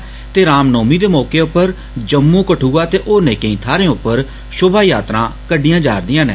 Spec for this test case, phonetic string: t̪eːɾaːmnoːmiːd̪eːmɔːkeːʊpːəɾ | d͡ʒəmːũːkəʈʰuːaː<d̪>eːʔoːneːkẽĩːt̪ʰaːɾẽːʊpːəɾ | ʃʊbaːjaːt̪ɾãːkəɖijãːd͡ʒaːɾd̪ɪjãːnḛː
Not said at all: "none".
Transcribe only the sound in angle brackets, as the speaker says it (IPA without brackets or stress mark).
t̪